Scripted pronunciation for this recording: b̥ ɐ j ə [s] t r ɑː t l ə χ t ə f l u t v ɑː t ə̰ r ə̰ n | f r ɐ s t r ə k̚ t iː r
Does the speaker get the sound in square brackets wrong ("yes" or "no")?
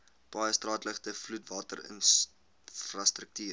no